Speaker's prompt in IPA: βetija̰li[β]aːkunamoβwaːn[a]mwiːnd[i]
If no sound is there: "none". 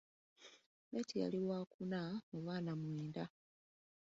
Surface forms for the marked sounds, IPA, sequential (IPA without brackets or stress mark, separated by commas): w, a, a